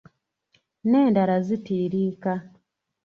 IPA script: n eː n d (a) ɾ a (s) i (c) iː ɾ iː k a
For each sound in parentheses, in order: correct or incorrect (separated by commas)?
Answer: correct, incorrect, incorrect